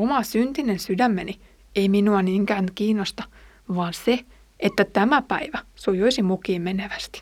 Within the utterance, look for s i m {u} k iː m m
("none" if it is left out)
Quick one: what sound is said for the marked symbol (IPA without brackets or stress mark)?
u